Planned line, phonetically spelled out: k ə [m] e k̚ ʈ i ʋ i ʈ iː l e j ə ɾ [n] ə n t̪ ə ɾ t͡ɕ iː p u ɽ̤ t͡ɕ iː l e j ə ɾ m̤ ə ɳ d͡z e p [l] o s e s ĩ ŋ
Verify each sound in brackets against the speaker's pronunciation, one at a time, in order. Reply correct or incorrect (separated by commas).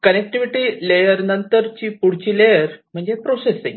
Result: incorrect, correct, incorrect